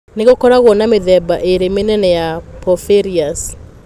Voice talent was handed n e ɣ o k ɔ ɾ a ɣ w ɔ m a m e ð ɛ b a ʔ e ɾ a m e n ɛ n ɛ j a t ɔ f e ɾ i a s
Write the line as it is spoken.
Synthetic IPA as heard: n e ɣ o k ɔ ɾ a ɣ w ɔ n a m e ð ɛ b a ʔ e ɾ e m e n ɛ n ɛ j a p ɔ f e ɾ i a s